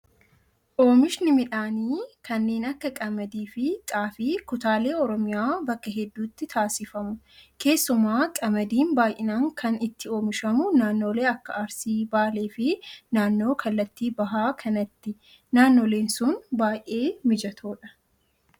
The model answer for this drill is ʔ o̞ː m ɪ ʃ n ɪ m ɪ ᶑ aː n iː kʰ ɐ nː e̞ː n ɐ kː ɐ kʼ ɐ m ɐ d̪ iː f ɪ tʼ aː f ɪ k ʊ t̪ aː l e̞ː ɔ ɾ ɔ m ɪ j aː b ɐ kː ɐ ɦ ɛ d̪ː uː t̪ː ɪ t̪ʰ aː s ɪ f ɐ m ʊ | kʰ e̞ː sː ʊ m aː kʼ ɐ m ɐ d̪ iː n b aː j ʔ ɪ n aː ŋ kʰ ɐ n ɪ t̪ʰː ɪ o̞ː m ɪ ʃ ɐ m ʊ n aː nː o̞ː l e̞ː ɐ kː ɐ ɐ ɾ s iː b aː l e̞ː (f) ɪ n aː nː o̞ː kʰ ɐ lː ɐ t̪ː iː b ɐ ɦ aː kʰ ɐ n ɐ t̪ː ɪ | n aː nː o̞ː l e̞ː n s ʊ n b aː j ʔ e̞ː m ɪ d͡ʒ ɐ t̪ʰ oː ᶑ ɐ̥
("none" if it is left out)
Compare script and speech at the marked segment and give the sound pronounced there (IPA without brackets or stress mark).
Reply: f